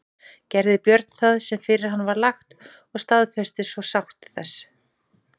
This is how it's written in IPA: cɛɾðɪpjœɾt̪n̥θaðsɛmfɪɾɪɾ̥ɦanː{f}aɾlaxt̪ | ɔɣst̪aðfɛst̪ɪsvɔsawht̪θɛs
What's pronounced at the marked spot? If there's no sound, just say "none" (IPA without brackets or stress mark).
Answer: v